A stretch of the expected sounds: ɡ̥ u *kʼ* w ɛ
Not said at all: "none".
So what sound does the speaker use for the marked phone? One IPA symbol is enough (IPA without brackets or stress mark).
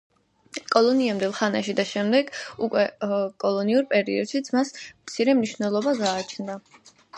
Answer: kʼ